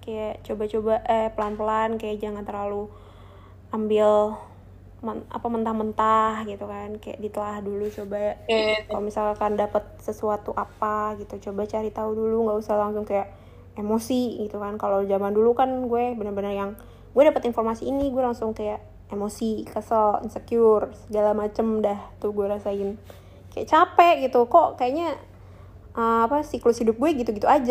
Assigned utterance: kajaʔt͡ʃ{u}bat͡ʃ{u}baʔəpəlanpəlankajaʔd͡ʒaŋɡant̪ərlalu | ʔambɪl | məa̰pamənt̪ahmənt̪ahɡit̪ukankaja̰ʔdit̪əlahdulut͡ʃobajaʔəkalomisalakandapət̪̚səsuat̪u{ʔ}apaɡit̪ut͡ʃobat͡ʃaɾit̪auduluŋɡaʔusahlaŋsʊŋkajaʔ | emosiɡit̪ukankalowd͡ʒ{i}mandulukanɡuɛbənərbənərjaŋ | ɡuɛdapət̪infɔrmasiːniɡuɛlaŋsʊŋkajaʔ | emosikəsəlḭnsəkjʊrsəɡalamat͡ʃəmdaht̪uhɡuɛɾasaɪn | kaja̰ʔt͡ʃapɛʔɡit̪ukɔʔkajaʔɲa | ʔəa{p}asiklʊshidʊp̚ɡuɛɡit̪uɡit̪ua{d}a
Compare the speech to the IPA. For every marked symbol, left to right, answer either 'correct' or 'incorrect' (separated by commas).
incorrect, incorrect, correct, incorrect, correct, incorrect